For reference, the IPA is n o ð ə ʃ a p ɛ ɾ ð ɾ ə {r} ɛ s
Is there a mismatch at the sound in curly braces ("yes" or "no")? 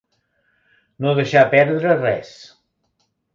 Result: no